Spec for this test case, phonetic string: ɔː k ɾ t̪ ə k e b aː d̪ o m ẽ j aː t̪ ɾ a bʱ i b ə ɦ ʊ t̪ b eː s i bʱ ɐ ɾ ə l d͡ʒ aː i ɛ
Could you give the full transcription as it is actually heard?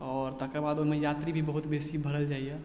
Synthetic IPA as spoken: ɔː ɾ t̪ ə k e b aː d̪ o m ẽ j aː t̪ ɾ i bʱ i b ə ɦ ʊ t̪ b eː s i bʱ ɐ ɾ ə l d͡ʒ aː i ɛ